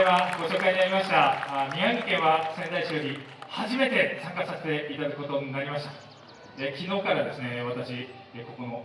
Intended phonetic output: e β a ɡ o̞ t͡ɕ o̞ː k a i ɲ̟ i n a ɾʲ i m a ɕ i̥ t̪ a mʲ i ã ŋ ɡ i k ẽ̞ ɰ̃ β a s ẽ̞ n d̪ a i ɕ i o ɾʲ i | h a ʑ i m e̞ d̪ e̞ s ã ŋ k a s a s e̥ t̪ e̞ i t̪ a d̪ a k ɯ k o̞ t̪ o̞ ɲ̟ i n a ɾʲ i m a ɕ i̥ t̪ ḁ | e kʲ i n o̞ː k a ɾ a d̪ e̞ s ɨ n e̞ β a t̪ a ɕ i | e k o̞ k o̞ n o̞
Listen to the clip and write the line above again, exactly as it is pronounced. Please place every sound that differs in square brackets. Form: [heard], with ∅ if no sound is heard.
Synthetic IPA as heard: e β a ɡ o̞ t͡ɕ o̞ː k a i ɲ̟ i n a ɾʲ i m a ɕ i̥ t̪ a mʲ i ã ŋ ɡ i k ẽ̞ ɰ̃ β a s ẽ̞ n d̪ a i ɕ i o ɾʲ i | h a ʑ i m e̞ [t̪] e̞ s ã ŋ k a s a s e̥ t̪ e̞ i t̪ a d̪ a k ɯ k o̞ t̪ o̞ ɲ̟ i n a ɾʲ i m a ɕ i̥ t̪ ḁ | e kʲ i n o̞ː k a ɾ a d̪ e̞ s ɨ n e̞ β a t̪ a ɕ i | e k o̞ k o̞ n o̞

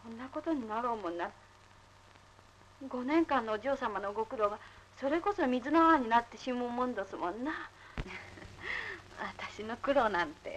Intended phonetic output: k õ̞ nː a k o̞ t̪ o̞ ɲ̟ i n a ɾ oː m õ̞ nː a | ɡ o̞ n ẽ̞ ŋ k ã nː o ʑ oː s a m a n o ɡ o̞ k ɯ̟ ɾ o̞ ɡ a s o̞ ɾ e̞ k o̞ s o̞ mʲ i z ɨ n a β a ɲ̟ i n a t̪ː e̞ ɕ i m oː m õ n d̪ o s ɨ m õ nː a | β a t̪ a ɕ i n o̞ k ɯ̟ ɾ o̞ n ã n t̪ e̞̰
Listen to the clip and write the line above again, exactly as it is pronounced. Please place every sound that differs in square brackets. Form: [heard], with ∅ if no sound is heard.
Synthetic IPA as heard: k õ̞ nː a k o̞ t̪ o̞ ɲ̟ i n a ɾ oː m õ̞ nː a | ɡ o̞ n ẽ̞ ŋ k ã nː o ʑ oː s a m a n o ɡ o̞ k ɯ̟ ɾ o̞ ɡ a s o̞ ɾ e̞ k o̞ s o̞ mʲ i z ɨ n a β a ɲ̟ i n a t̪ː e̞ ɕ i m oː m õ n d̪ o s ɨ m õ nː a | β a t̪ a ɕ i n o̞ k ɯ̟ ɾ o̞ n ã n t̪ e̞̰

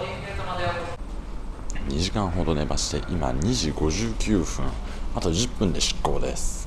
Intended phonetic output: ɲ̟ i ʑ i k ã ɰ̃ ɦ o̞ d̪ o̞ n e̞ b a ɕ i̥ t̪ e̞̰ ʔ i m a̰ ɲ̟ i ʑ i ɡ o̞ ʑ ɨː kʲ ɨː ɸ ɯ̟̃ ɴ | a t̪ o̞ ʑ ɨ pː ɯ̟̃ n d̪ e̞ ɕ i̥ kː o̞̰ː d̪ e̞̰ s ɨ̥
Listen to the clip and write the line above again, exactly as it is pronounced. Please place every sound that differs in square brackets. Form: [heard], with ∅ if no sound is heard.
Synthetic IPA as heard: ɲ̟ i ʑ i k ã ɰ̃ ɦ o̞ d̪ o̞ n e̞ b a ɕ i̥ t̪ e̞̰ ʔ i m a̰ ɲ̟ i ʑ i ɡ o̞ ʑ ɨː kʲ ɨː ɸ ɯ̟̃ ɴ | a t̪ o̞ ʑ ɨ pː ɯ̟̃ n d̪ e̞ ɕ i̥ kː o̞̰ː d̪ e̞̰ s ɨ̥

